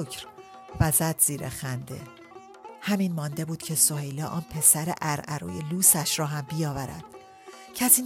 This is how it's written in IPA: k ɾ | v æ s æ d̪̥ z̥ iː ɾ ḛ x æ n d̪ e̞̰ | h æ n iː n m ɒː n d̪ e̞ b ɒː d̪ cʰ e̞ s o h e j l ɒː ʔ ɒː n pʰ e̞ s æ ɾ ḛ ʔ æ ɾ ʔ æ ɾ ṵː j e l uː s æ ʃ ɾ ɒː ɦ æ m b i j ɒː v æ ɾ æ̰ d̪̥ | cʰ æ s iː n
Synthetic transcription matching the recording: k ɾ | v æ z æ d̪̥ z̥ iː ɾ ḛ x æ n d̪ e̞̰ | h æ m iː n m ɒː n d̪ e̞ b uː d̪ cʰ e̞ s o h e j l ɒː ʔ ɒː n pʰ e̞ s æ ɾ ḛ ʔ æ ɾ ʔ æ ɾ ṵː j e l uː s æ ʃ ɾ ɒː ɦ æ m b i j ɒː v æ ɾ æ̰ d̪̥ | cʰ æ s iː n